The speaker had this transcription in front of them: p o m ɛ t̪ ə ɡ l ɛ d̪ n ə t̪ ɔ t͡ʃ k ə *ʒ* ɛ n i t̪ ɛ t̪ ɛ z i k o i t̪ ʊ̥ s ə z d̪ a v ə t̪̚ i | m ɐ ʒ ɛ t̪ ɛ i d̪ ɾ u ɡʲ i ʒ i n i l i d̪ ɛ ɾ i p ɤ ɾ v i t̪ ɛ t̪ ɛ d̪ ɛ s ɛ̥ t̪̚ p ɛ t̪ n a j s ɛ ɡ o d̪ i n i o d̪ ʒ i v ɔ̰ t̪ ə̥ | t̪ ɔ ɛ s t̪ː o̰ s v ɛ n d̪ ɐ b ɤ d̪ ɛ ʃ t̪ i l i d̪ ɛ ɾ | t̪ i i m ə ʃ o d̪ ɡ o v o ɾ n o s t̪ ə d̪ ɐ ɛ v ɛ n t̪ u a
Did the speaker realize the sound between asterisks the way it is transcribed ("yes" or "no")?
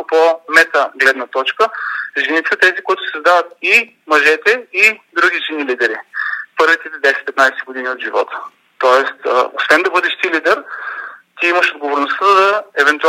yes